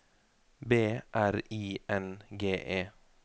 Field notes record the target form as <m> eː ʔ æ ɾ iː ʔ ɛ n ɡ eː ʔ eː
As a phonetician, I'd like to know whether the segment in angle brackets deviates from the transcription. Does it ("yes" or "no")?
yes